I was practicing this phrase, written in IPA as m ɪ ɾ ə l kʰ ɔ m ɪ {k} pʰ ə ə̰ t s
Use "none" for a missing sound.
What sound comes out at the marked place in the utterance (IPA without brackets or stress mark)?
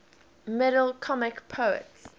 k